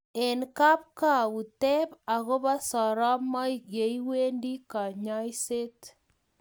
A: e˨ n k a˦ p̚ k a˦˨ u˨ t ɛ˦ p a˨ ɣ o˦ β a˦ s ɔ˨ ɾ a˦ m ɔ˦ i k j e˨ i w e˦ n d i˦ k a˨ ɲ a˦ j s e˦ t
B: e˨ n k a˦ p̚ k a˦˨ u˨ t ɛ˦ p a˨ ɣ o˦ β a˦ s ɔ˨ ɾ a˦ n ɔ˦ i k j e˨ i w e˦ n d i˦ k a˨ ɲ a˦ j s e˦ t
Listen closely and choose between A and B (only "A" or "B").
A